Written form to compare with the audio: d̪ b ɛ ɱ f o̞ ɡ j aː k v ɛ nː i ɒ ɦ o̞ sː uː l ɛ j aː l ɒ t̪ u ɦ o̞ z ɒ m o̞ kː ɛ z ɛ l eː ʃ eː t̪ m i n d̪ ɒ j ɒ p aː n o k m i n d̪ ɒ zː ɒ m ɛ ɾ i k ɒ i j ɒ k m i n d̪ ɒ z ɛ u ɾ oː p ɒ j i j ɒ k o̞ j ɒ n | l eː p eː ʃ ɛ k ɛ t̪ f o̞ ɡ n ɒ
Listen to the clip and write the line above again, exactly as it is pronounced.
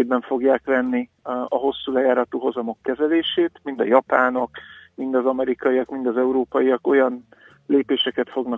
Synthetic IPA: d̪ b ɛ ɱ f o̞ ɡ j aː k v ɛ nː i ɒ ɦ o̞ sː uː l ɛ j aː ɾ ɒ t̪ u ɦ o̞ z ɒ m o̞ kː ɛ z ɛ l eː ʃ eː t̪ m i n d̪ ɒ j ɒ p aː n o k m i n d̪ ɒ z ɒ m ɛ ɾ i k ɒ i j ɒ k m i n d̪ ɒ z ɛ u ɾ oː p ɒ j i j ɒ k o̞ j ɒ n | l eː p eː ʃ ɛ k ɛ t̪ f o̞ ɡ n ɒ